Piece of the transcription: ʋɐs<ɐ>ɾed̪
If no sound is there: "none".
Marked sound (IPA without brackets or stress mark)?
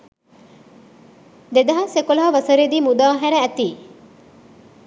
ɐ